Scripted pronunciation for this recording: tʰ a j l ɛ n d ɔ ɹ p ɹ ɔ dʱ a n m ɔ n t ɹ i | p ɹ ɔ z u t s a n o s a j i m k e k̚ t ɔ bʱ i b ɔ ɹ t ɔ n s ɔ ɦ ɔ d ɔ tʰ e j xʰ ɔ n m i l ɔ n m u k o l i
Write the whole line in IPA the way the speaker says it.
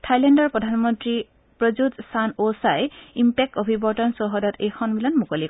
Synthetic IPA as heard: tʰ a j l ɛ n d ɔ ɹ p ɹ ɔ dʱ a n m ɔ n t ɹ i | p ɹ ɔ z u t s a n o s a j i m p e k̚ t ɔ bʱ i b ɔ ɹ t ɔ n s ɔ ɦ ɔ d ɔ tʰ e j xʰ ɔ n b i l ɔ n m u k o l i